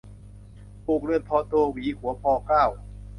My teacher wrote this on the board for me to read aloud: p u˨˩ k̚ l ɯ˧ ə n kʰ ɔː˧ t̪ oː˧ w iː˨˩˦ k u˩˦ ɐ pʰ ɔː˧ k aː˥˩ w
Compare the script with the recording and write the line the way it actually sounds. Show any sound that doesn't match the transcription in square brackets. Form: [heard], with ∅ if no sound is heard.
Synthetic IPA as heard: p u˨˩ k̚ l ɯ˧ ə n [pʰ] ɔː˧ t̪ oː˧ w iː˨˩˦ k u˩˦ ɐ pʰ ɔː˧ k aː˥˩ w